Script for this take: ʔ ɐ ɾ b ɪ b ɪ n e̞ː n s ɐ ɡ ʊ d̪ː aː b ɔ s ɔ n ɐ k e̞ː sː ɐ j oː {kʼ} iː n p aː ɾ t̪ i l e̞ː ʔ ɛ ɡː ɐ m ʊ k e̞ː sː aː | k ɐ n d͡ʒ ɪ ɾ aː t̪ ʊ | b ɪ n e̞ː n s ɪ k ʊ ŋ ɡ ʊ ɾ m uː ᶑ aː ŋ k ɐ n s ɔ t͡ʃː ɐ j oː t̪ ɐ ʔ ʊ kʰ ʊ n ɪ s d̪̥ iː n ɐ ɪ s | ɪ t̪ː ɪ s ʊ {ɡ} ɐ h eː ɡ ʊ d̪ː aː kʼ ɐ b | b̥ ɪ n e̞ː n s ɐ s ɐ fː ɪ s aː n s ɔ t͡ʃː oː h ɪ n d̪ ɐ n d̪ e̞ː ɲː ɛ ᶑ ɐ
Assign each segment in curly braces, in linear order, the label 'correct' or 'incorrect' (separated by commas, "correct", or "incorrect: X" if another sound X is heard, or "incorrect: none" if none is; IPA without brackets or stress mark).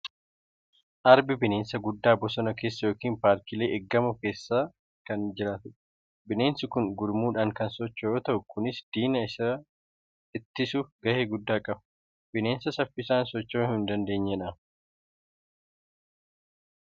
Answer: incorrect: k, correct